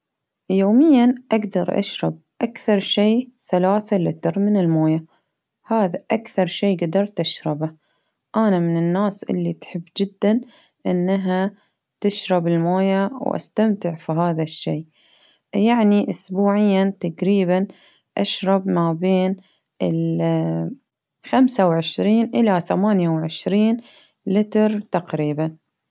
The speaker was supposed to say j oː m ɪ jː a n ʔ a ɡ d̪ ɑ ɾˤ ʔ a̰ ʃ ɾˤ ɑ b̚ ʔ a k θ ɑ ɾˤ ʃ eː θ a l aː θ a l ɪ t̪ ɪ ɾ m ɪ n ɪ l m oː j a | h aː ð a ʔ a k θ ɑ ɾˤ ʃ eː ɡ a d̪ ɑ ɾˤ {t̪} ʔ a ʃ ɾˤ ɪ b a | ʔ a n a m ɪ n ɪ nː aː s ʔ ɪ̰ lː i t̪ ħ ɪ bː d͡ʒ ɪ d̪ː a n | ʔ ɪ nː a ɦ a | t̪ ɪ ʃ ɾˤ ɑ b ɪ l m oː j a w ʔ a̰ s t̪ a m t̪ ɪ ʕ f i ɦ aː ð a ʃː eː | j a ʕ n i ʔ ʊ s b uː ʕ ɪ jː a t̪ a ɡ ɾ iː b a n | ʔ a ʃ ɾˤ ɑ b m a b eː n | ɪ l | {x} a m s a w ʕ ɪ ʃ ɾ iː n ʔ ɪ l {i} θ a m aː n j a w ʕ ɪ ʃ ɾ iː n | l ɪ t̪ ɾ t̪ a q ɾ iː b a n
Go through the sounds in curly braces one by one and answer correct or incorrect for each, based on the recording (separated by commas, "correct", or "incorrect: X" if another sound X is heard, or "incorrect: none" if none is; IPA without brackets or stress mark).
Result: correct, correct, incorrect: a